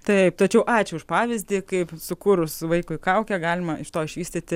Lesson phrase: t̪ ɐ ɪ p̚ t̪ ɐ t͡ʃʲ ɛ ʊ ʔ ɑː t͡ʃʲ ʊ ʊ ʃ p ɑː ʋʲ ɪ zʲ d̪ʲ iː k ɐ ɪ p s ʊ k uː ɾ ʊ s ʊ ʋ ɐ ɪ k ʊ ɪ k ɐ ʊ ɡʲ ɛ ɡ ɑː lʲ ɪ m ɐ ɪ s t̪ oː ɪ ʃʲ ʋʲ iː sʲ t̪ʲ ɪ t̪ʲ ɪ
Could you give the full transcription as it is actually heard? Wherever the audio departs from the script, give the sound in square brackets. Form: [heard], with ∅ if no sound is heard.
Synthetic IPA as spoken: t̪ ɐ ɪ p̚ t̪ ɐ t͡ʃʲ ɛ ʊ ʔ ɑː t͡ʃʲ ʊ ʊ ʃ p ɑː ʋʲ ɪ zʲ d̪ʲ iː k ɐ ɪ p s ʊ k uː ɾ ʊ s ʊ ʋ ɐ ɪ k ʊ ɪ k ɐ ʊ [kʲ] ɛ ɡ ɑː lʲ ɪ m ɐ ɪ [ʃ] t̪ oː ɪ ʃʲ ʋʲ iː sʲ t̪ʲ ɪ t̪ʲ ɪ